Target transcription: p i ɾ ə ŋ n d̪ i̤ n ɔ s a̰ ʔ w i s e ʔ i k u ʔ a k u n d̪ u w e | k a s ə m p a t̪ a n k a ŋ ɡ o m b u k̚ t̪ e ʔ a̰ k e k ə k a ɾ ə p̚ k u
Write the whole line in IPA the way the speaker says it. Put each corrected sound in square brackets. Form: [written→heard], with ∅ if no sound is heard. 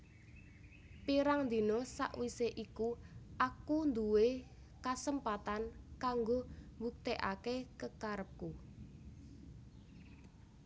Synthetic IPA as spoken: p i ɾ [ə→a] ŋ n d̪ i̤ n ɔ s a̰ ʔ w i s e ʔ i k u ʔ a k u n d̪ u w e | k a s ə m p a t̪ a n k a ŋ ɡ o m b u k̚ t̪ e ʔ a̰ k e k ə k a ɾ ə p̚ k u